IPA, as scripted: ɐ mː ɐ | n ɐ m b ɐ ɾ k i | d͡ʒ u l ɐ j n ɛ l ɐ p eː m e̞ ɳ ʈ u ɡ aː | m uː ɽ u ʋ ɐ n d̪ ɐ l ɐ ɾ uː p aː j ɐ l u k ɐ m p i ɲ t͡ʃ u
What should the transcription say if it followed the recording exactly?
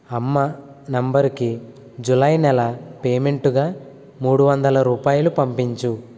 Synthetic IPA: ɐ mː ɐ | n ɐ m b ɐ ɾ k i | d͡ʒ u l ɐ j n ɛ l ɐ p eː m e̞ ɳ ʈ u ɡ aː | m uː ɽ u ʋ ɐ n d̪ ɐ l ɐ ɾ uː p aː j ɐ l u p ɐ m p i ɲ t͡ʃ u